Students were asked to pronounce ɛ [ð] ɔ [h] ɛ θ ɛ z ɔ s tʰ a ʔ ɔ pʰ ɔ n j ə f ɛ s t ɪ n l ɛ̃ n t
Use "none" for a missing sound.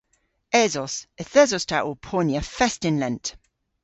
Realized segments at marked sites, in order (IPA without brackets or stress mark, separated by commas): z, s